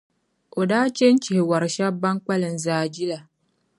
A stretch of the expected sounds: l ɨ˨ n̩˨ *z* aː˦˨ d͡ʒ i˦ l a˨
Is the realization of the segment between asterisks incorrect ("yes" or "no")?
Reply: no